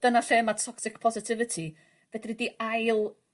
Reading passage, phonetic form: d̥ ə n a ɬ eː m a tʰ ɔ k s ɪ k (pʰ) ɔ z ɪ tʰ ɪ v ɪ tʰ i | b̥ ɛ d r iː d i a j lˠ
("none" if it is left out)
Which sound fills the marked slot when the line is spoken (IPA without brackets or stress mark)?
pʰ